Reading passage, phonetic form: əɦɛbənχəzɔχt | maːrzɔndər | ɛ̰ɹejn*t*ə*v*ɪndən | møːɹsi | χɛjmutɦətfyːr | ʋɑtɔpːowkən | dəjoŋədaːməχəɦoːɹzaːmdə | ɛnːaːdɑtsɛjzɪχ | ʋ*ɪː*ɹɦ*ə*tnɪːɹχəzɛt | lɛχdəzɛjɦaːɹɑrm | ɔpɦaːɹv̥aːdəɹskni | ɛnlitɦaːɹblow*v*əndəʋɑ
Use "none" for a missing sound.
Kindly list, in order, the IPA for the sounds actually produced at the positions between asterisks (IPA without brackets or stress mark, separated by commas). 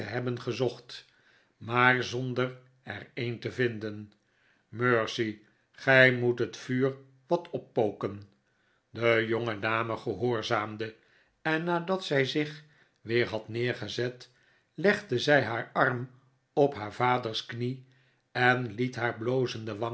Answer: t, v, ɪː, ɑ, z